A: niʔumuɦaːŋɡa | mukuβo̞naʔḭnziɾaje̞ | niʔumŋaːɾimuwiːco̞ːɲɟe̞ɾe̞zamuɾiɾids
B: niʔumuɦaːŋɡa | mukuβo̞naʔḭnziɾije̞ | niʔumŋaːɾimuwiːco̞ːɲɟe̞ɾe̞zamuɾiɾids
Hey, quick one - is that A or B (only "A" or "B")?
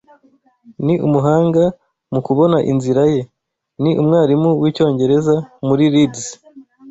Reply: A